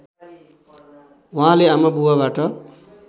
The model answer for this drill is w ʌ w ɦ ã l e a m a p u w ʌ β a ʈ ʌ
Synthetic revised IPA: w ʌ ɦ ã l e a m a b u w a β a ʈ ʌ

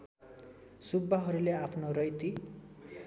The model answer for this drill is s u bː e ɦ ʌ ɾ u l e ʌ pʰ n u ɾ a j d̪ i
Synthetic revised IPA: s u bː a ɦ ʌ ɾ u l e a pʰ n o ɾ ʌ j t̪ i

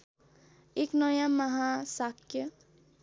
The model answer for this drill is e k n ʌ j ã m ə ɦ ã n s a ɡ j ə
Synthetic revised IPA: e k n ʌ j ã m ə ɦ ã s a k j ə

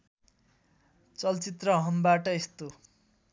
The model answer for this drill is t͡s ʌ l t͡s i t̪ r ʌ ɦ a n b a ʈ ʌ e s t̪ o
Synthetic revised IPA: t͡s ʌ l t͡s i t̪ r ʌ ɦ ʌ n b a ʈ ʌ e s t̪ o

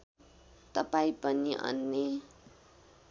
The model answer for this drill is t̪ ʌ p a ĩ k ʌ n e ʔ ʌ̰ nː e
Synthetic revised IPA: t̪ ʌ p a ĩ p ʌ n i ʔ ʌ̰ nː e

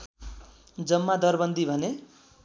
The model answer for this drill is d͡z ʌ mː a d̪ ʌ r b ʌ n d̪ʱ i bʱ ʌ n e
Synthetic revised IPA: d͡z ʌ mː a d̪ ʌ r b ʌ n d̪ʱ i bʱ ʌ n e

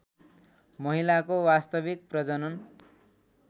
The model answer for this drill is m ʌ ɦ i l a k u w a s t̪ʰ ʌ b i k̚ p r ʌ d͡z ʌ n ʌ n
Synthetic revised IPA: m ʌ ɦ i l a k o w a s t̪ ʌ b i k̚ p r ʌ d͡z ʌ n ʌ n

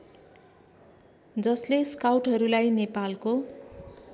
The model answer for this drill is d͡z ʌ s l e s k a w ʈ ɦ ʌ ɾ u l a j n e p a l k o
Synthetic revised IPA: d͡z ʌ s l e s k a w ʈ ɦ ʌ ɾ u l a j n e p a l k o

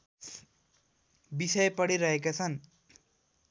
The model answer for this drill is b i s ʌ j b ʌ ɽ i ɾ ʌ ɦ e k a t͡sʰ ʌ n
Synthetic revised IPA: b i s ʌ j p ʌ ɽ i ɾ ʌ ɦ e k a t͡sʰ ʌ n

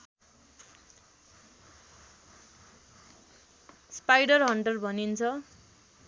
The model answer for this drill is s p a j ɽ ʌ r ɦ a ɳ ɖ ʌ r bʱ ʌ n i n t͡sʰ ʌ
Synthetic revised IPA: s p a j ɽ ʌ r ɦ ʌ ɳ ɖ ʌ l bʱ ʌ n i n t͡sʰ ʌ

